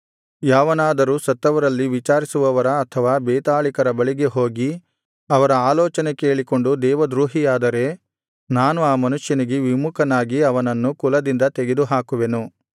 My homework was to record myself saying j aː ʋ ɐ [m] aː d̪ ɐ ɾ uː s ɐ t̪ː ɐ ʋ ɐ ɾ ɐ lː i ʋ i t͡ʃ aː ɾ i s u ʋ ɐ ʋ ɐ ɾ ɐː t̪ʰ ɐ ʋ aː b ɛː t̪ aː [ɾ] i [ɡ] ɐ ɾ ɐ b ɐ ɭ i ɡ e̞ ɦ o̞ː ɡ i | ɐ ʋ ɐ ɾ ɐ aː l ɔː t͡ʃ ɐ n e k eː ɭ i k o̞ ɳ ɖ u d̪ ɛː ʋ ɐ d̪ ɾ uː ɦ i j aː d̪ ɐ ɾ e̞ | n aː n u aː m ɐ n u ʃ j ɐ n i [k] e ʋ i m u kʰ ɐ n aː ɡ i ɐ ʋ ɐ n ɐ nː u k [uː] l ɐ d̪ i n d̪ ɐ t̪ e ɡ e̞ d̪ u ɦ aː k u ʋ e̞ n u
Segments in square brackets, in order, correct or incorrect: incorrect: n, incorrect: ɭ, incorrect: k, incorrect: ɡ, incorrect: u

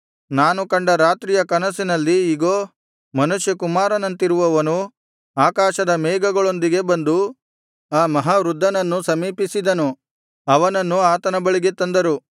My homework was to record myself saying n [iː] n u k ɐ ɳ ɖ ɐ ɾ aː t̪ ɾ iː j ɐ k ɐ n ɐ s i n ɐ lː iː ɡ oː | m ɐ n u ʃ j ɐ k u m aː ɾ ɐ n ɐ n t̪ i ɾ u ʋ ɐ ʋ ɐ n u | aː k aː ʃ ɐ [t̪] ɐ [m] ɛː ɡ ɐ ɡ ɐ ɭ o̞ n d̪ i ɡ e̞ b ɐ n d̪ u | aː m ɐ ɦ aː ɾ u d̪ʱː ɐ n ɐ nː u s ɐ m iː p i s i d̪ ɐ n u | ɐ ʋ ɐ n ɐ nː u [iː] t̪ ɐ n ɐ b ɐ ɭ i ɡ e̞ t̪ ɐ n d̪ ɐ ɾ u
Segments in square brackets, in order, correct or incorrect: incorrect: aː, incorrect: d̪, correct, incorrect: aː

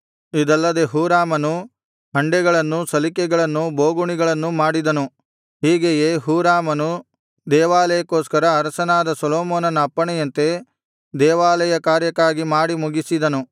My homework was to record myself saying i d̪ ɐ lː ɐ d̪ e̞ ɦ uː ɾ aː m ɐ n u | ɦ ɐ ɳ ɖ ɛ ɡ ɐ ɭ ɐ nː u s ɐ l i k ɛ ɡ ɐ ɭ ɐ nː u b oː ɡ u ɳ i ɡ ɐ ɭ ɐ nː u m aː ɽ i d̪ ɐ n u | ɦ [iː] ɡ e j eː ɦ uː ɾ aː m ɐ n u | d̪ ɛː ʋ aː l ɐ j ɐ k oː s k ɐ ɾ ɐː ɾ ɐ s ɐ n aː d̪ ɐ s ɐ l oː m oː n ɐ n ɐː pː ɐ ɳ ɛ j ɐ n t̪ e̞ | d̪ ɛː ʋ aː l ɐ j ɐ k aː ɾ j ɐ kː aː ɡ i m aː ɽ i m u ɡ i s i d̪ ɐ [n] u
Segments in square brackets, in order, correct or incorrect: correct, correct

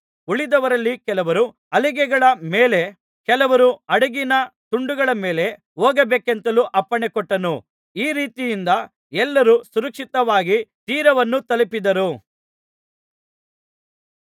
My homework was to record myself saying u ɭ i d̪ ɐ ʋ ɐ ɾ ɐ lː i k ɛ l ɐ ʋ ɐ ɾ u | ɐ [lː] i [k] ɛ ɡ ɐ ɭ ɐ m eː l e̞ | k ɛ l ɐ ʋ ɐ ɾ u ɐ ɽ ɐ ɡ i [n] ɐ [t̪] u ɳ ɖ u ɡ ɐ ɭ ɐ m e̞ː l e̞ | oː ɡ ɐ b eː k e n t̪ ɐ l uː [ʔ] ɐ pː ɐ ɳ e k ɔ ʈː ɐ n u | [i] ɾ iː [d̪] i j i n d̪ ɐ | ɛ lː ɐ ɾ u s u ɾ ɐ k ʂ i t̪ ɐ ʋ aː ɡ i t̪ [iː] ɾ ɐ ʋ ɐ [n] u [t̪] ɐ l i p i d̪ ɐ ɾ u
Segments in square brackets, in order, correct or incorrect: incorrect: l, incorrect: ɡ, correct, correct, correct, incorrect: iː, incorrect: t̪, correct, incorrect: nː, correct

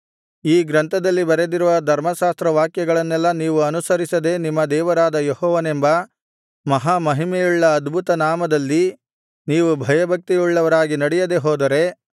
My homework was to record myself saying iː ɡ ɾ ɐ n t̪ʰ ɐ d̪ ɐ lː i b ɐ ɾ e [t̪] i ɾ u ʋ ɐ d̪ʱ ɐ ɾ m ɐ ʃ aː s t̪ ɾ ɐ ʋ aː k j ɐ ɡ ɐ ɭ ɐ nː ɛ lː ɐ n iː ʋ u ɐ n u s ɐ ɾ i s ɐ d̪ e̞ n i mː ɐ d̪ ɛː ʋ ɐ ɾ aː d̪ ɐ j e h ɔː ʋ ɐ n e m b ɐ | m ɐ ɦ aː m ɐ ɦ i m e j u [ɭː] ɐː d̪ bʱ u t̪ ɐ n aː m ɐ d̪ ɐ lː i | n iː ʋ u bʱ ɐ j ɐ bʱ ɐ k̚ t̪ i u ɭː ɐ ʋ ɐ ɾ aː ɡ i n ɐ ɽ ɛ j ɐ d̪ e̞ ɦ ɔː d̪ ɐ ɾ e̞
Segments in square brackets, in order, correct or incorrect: incorrect: d̪, correct

